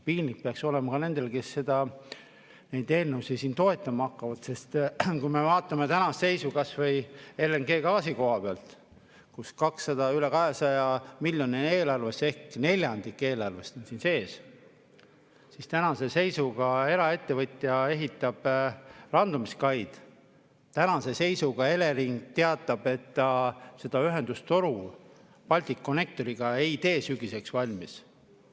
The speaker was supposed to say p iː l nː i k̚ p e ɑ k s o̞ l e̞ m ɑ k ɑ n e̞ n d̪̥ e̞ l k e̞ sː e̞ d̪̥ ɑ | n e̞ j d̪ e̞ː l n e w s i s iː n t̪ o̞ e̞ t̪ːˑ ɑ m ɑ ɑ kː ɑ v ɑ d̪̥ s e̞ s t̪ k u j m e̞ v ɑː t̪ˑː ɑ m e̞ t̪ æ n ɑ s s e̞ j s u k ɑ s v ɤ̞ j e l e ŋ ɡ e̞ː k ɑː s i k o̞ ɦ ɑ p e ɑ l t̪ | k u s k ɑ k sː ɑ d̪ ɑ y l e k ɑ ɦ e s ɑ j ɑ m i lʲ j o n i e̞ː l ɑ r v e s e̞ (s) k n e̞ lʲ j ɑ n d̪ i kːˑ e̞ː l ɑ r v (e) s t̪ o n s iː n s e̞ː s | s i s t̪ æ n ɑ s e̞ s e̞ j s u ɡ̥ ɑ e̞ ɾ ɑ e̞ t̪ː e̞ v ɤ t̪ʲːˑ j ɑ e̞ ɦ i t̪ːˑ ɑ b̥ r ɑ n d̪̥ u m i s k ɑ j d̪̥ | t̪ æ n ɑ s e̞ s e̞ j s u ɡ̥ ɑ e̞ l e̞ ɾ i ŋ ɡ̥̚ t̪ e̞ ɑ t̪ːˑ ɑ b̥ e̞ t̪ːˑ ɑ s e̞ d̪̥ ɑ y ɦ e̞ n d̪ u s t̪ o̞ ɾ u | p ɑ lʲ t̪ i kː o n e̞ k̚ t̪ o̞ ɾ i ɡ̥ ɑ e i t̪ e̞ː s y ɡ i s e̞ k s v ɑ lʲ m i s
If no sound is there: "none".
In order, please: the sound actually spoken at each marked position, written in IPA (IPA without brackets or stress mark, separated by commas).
h, e